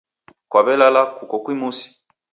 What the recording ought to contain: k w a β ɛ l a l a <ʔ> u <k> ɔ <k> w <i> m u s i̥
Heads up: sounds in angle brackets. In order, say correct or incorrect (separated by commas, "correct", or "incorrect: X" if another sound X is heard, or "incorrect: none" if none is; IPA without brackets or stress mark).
incorrect: k, correct, correct, correct